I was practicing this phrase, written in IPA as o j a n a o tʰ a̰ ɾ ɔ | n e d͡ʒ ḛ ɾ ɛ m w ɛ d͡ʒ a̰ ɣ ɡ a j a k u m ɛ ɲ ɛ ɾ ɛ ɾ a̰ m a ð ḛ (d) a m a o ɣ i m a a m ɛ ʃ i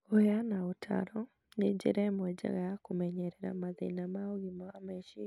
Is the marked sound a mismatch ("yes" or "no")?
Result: yes